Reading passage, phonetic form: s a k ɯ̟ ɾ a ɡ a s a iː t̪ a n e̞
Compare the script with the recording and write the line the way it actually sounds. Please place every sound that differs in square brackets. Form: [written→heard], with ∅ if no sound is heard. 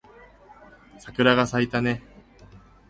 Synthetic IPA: s a k ɯ̟ ɾ a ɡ a s a [iː→i] t̪ a n e̞